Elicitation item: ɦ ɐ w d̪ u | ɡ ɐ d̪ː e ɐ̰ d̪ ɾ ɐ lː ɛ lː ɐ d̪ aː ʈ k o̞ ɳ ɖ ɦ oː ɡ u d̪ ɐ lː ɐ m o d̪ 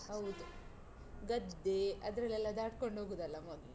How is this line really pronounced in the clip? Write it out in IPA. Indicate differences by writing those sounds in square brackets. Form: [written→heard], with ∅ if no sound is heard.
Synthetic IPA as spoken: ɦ ɐ w d̪ u | ɡ ɐ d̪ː e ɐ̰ d̪ ɾ ɐ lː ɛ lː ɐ d̪ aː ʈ k o̞ ɳ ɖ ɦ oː ɡ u d̪ ɐ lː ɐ m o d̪